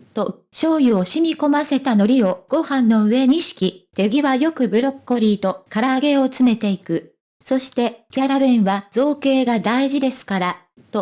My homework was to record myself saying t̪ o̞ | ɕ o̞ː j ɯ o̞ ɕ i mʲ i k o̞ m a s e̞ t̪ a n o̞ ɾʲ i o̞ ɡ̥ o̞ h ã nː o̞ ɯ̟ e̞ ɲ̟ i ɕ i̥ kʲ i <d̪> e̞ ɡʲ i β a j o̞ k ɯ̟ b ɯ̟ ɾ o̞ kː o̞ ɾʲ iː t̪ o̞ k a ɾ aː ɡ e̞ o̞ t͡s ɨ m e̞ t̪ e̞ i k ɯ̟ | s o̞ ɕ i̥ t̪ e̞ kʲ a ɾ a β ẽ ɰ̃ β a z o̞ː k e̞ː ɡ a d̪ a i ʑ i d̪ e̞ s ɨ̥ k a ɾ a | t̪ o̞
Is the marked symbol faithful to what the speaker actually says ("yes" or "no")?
no